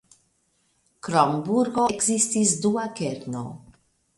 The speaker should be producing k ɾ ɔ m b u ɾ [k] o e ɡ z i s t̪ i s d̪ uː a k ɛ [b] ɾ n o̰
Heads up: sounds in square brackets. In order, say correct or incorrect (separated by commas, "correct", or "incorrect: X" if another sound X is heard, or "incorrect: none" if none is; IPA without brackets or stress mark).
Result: incorrect: ɡ, incorrect: none